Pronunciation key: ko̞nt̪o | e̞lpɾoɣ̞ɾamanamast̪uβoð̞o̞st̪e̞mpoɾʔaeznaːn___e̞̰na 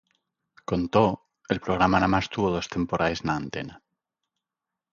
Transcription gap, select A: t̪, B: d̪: A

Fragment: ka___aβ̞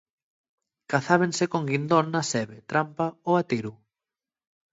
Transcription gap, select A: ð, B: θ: B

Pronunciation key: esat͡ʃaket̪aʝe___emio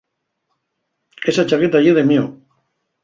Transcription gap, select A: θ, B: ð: B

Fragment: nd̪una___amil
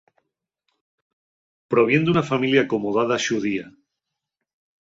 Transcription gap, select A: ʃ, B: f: B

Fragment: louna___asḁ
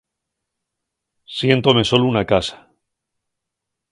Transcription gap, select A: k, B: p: A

